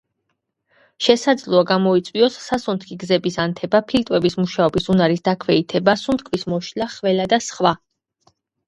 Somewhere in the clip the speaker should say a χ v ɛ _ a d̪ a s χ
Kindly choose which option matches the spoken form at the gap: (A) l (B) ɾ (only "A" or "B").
A